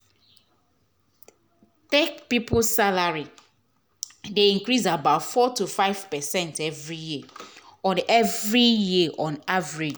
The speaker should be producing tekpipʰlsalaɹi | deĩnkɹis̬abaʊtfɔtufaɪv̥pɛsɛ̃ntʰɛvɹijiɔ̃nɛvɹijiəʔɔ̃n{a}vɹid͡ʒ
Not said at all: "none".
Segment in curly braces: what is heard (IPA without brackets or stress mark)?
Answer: a